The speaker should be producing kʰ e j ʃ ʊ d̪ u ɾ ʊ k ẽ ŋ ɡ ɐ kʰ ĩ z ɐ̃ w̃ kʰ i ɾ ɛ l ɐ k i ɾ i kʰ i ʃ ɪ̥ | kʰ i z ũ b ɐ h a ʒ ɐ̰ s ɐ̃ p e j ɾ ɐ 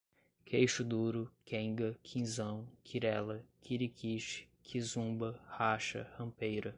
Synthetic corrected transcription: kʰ e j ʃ ʊ d̪ u ɾ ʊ k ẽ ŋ ɡ ɐ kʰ ĩ z ɐ̃ w̃ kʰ i ɾ ɛ l ɐ k i ɾ i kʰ i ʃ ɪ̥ | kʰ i z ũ b ɐ h a ʃ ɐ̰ h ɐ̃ p e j ɾ ɐ

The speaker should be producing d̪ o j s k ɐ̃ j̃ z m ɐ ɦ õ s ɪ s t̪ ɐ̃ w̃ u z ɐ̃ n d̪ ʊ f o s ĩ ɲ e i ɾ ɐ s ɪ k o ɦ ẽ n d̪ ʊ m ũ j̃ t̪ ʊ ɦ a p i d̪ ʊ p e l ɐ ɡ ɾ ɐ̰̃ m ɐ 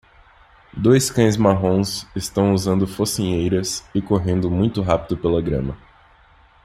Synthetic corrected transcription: d̪ o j s k ɐ̃ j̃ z m a ɦ õ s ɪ s t̪ ɐ̃ w̃ u z ɐ̃ n d̪ ʊ f o s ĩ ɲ e j ɾ ɐ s ɪ k o ɦ ẽ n d̪ ʊ m ũ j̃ t̪ ʊ ɦ a p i d̪ ʊ p e l ɐ ɡ ɾ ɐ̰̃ m ɐ

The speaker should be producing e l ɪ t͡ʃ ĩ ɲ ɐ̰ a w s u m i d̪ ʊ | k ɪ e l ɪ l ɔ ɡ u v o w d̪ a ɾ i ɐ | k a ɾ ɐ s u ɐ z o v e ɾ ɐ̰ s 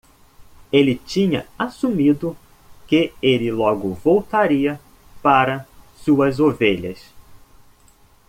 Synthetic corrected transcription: e l ɪ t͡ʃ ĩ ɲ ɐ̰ a s u m i d̪ ʊ | k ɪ e l ɪ l ɔ ɡ ʊ v o w t̪ a ɾ i ɐ | p a ɾ ɐ s u ɐ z o v e ʎ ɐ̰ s

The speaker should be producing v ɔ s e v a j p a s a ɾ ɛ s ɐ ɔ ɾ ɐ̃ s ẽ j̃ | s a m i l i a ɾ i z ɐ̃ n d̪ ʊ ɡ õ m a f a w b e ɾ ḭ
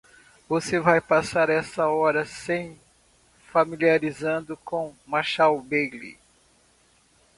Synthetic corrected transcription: v o s e v a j p a s a ɾ ɛ s ɐ ɔ ɾ ɐ s ẽ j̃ | f a m i l i a ɾ i z ɐ̃ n d̪ ʊ k õ m a ʃ a w b e l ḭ

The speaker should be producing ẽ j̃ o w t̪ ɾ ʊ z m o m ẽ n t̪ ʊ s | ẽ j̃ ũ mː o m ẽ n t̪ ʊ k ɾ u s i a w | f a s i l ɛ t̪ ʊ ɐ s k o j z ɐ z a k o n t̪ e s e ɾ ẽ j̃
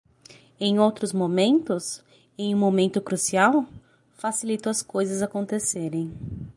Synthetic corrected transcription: ẽ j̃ o w t̪ ɾ ʊ z m o m ẽ n t̪ ʊ s | ẽ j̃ ũ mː o m ẽ n t̪ ʊ k ɾ u s i a w | f a s i l i t̪ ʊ ɐ s k o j z ɐ z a k õ n t̪ e s e ɾ ẽ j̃

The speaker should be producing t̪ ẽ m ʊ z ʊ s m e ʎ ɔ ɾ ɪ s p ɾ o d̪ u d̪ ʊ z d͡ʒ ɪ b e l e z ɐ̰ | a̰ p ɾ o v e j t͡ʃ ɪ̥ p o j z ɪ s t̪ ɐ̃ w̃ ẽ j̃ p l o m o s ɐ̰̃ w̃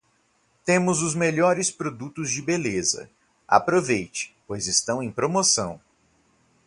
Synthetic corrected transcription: t̪ ẽ m ʊ z ʊ z m e ʎ ɔ ɾ ɪ s p ɾ o d̪ u t̪ ʊ z d͡ʒ ɪ b e l e z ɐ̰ | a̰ p ɾ o v e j t͡ʃ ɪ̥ p o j z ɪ s t̪ ɐ̃ w̃ ẽ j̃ p ɾ o m o s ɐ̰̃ w̃

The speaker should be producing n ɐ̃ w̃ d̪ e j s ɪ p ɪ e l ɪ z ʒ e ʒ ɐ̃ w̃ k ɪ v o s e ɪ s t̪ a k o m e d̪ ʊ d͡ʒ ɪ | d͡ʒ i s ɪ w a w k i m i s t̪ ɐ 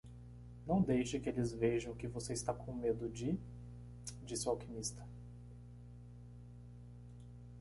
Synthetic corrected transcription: n ɐ̃ w̃ d̪ e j ʃ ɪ k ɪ e l ɪ z v e ʒ ɐ̃ w̃ k ɪ v o s e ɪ s t̪ a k õ m e d̪ ʊ d͡ʒ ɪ | d͡ʒ i s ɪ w a w k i m i s t̪ ɐ

